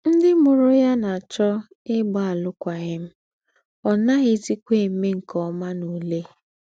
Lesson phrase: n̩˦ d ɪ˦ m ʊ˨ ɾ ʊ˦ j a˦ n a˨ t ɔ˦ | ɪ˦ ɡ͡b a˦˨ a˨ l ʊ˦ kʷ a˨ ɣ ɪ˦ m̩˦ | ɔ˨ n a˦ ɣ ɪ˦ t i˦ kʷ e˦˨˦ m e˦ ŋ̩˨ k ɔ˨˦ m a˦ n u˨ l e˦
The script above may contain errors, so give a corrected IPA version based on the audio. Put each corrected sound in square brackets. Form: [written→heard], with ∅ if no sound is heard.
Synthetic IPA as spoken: n̩˦ d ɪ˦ m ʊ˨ ɾ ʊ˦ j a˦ n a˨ [t→t͡ʃ] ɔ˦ | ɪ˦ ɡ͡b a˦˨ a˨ l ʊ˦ kʷ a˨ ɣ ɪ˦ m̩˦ | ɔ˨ n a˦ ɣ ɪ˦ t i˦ kʷ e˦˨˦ m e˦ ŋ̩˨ k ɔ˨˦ m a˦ n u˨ l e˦